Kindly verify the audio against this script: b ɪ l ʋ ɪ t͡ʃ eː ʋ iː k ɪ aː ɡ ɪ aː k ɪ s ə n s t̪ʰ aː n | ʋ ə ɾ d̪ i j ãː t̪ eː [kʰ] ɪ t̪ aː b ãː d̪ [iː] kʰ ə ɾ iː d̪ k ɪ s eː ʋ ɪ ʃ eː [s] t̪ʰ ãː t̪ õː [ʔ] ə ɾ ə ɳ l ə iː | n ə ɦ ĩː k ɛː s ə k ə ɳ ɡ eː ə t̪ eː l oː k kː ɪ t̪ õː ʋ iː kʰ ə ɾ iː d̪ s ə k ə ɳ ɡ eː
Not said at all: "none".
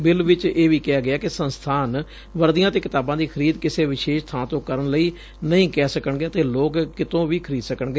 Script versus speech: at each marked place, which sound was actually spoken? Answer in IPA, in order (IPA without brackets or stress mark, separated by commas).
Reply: k, iː, ʃ, k